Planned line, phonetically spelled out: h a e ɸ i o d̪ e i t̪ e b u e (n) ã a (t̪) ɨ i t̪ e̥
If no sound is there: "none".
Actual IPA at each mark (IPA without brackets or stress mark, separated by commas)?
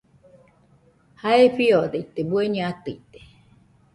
ɲ, t̪